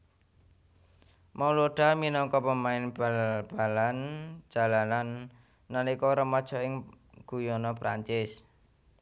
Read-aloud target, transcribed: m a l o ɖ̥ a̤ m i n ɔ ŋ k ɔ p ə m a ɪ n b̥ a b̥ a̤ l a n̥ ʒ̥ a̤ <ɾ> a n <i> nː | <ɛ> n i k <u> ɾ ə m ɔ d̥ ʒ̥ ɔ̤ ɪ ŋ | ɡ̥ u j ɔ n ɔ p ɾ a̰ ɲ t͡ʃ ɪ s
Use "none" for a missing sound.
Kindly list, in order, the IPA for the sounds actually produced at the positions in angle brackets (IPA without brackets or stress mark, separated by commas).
l, a, a, ɔ